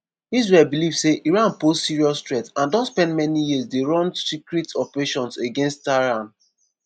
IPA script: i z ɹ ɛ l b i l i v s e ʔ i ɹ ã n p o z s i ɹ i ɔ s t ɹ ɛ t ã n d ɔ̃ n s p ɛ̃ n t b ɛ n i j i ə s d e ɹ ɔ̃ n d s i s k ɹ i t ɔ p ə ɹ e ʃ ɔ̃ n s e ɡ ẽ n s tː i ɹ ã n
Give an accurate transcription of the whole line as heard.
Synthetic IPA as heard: i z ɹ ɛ l b i l i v s e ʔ i ɹ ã n p o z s i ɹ i ɔ s t ɹ ɛ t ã n d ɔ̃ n s p ɛ̃ n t m ɛ n i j i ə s d e ɹ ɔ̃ n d s i k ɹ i t ɔ p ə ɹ e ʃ ɔ̃ n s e ɡ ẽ n s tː a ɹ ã n

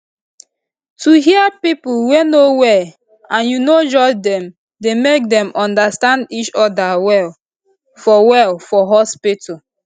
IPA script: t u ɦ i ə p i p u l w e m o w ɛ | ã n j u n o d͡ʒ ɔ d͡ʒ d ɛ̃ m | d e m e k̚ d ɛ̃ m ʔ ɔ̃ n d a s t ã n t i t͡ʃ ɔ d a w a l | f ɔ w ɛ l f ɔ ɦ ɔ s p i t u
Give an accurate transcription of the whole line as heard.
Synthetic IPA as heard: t u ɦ i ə p i p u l w e n o w ɛ | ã n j u n o d͡ʒ ɔ d͡ʒ d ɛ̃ m | d e m e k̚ d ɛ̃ m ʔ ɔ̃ n d a s t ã n d i t͡ʃ ɔ d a w ɛ l | f ɔ w ɛ l f ɔ ɦ ɔ s p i t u

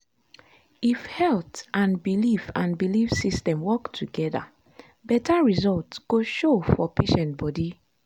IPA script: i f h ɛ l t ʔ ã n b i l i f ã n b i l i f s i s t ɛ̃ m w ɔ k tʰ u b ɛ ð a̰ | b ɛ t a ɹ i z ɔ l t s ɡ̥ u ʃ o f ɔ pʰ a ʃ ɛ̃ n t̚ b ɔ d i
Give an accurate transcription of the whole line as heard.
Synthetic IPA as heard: i f h ɛ l t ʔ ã n b i l i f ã n b i l i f s i s t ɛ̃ m w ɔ k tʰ u ɡ ɛ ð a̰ | b ɛ t a ɹ i z ɔ l t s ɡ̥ o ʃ o f ɔ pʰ e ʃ ɛ̃ n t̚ b ɔ d i

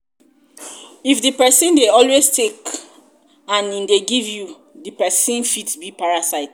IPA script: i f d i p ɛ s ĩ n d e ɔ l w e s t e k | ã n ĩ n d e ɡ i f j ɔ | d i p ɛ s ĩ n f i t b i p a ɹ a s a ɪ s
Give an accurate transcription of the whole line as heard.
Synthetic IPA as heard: i f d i p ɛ s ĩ n d e ɔ l w e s t e k | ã n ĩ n d e ɡ i v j u | d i p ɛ s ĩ n f i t b i p a ɹ a s a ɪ t

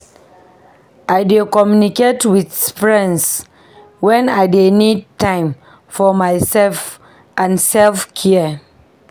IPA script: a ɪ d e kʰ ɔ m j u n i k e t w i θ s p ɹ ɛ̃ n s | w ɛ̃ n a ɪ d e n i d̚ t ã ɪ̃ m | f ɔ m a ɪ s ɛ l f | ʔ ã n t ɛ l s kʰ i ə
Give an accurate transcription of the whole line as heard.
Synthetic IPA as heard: a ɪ d e k ɔ m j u n i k e t w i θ s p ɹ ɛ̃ n s | w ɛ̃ n a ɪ d e n i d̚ t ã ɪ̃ m | f ɔ m a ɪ s ɛ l f | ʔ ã n s ɛ l f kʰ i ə

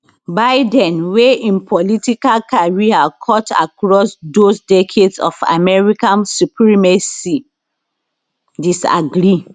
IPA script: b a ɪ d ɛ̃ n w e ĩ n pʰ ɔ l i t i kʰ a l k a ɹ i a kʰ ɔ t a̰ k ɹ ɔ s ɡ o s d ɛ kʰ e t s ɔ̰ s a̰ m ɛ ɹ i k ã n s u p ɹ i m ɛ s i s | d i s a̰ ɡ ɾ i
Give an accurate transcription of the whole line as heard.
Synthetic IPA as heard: b a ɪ d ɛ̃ n w e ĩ n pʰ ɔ l i t i k a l k a ɹ i a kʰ ɔ t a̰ k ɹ ɔ s d o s d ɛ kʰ e d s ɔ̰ f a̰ m ɛ ɹ i k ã n s u p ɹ i m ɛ s i | d i s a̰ ɡ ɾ i

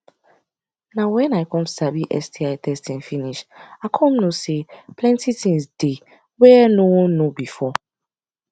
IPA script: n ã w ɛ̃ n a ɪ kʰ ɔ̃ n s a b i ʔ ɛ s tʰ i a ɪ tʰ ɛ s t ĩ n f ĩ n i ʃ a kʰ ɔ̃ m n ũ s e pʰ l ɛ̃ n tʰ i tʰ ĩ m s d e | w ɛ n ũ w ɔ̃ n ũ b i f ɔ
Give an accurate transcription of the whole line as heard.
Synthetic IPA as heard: n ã w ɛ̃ n a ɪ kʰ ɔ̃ m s a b i ʔ ɛ s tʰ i a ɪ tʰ ɛ s t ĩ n f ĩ n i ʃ a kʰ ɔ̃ m n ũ s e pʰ l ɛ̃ n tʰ i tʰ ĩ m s d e | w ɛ n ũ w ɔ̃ n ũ b i f ɔ

